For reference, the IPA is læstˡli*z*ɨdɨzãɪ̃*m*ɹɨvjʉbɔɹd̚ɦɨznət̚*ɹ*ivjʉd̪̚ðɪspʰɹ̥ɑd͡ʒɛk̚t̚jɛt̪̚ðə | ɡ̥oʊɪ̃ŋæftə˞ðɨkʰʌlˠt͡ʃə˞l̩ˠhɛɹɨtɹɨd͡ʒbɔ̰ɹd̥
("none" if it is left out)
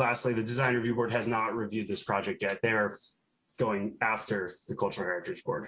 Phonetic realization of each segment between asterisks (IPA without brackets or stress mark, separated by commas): ð, n, ɹ